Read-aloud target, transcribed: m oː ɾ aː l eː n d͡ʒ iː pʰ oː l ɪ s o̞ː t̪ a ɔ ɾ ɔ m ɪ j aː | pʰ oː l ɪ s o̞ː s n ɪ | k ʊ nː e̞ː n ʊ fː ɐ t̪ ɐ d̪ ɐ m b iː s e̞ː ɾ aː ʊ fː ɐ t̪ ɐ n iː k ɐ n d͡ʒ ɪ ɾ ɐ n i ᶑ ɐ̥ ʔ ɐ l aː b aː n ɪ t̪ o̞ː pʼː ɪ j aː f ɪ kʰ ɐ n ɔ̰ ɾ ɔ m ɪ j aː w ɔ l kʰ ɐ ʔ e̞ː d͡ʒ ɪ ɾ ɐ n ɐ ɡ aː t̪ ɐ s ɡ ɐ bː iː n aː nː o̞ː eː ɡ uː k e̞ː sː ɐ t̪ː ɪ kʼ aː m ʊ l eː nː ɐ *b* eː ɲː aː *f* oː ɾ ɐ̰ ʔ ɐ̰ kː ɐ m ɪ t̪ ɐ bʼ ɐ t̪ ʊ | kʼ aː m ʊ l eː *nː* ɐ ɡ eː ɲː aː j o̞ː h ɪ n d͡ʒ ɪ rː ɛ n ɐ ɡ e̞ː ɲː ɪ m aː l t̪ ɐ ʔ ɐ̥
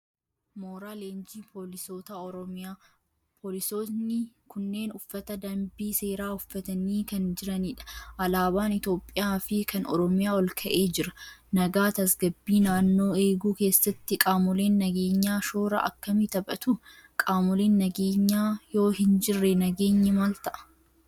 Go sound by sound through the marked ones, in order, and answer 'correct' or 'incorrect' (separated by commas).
incorrect, incorrect, correct